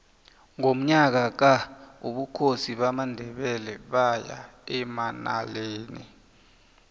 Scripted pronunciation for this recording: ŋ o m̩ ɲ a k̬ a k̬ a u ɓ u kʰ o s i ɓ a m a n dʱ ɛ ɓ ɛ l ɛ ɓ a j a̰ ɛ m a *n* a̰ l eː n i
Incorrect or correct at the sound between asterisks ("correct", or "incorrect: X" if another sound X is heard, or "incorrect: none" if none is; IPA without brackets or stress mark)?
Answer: correct